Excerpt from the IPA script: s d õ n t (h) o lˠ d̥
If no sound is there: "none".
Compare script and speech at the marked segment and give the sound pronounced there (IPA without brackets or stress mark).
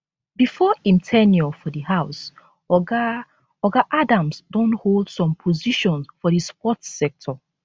h